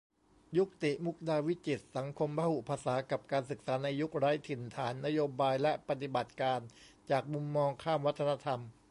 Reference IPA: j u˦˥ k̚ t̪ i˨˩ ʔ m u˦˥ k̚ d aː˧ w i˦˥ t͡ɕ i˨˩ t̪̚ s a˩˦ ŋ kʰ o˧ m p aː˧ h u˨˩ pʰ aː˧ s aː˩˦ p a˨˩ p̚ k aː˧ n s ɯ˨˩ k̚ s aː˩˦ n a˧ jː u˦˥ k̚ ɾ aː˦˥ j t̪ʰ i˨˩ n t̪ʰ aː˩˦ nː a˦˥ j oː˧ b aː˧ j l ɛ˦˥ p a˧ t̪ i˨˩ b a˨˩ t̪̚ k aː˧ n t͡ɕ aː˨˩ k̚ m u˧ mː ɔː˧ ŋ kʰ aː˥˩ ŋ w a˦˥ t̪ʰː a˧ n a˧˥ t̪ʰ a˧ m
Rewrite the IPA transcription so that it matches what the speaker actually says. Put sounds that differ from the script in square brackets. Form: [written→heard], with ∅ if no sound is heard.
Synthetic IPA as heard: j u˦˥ k̚ t̪ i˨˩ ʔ m u˦˥ k̚ d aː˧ w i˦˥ t͡ɕ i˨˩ t̪̚ s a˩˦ ŋ kʰ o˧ m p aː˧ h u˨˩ pʰ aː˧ s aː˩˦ [p→k] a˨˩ p̚ k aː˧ n s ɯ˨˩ k̚ s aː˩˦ n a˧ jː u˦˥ k̚ ɾ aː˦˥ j t̪ʰ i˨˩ n t̪ʰ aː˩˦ nː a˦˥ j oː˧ b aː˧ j l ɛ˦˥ p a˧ t̪ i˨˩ b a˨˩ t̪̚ k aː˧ n t͡ɕ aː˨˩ k̚ m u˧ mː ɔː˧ ŋ kʰ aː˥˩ [ŋ→m] w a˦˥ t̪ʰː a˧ n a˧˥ t̪ʰ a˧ m